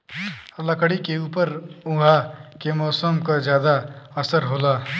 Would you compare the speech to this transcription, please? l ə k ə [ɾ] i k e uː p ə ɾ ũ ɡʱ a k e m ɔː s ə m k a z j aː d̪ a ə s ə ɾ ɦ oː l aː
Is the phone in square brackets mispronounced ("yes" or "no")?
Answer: yes